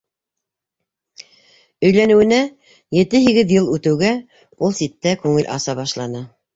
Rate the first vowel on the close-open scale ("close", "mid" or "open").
mid